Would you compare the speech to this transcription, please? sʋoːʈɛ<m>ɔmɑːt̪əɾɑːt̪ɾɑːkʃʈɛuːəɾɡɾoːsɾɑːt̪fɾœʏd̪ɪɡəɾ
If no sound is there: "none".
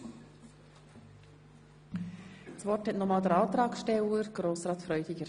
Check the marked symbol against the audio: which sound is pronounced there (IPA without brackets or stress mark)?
n